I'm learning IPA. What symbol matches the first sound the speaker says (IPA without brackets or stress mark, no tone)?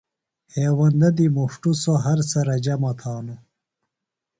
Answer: h